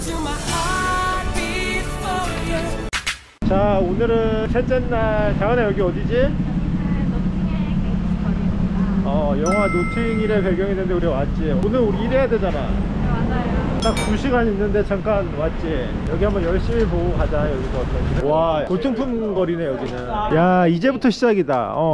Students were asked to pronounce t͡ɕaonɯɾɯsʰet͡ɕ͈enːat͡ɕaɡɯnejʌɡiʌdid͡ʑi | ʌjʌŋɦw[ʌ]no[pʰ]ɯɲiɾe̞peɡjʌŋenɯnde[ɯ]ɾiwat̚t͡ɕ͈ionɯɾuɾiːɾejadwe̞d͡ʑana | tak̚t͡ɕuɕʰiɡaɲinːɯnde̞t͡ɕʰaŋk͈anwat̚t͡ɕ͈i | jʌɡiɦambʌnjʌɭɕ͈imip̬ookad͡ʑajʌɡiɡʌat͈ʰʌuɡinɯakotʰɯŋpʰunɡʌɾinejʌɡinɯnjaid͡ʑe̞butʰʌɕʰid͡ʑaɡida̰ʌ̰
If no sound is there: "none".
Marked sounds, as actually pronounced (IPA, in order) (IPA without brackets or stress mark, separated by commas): a, tʰ, u